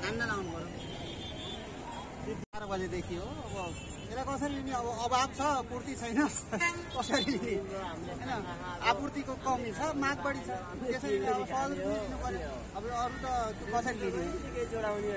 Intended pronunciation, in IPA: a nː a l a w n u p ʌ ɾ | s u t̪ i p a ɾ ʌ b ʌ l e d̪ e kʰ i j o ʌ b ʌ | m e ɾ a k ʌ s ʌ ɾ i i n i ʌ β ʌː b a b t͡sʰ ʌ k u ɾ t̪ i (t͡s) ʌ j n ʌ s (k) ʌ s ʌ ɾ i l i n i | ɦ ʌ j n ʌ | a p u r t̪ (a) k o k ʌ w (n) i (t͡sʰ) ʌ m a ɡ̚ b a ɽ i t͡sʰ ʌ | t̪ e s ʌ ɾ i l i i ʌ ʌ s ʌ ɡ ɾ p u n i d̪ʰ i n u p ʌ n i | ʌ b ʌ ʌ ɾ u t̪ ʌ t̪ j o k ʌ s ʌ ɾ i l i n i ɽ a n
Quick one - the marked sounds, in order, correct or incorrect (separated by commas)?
incorrect, correct, incorrect, incorrect, correct